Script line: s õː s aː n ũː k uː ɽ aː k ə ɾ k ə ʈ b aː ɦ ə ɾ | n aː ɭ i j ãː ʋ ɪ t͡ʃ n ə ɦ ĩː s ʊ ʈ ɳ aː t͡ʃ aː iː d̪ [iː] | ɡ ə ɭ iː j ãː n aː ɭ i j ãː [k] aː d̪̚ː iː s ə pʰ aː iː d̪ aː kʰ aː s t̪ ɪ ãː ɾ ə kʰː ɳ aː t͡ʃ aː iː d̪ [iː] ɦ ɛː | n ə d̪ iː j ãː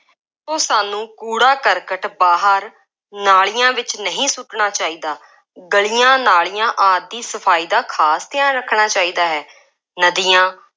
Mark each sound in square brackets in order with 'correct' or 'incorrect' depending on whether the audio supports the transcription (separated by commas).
incorrect, incorrect, incorrect